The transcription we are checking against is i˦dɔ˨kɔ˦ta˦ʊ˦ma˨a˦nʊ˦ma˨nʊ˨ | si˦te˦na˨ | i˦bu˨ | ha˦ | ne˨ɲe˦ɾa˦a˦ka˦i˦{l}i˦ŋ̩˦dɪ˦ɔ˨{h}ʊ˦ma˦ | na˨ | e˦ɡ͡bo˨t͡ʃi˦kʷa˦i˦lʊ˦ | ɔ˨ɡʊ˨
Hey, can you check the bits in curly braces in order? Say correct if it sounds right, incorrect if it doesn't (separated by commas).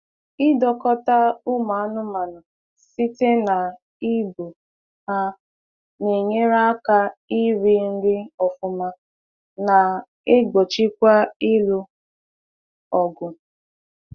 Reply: incorrect, incorrect